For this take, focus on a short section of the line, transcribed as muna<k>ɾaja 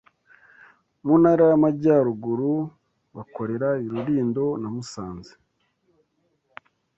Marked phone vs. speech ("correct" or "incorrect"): incorrect